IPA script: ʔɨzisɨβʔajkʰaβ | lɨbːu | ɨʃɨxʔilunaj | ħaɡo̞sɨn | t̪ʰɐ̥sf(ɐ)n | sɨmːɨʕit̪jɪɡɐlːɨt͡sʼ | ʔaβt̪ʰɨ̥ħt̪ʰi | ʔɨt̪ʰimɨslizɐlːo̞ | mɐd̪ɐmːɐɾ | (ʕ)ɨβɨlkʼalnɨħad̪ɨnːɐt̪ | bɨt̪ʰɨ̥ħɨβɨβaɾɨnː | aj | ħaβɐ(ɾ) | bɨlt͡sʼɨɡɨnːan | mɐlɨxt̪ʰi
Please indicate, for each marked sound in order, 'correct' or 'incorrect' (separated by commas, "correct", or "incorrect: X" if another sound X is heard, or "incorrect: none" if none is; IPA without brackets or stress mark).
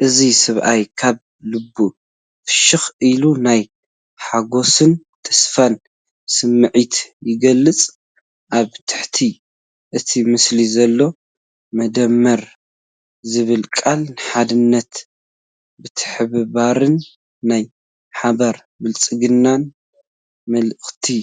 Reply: incorrect: a, incorrect: z, correct